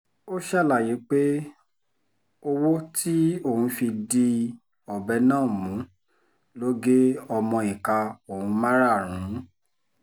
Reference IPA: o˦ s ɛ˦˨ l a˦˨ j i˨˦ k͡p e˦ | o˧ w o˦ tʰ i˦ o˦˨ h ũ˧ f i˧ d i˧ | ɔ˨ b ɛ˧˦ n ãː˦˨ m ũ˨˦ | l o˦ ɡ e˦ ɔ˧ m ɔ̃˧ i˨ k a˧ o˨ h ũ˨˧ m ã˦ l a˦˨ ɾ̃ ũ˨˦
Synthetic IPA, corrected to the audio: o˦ ʃ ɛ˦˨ l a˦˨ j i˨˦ k͡p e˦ | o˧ w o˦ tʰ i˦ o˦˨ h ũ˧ f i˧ d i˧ | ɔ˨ b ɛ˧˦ n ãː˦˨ m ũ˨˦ | l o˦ ɡ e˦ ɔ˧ m ɔ̃˧ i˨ k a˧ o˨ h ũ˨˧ m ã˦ ɾ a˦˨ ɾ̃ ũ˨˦